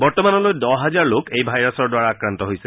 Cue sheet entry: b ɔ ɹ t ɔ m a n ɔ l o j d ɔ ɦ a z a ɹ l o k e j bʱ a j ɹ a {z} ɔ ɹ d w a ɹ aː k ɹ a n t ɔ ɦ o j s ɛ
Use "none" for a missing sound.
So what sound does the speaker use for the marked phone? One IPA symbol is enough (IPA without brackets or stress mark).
s